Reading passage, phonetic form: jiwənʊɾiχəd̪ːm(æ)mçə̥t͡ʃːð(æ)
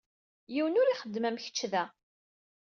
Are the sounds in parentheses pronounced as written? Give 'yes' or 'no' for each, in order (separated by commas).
yes, yes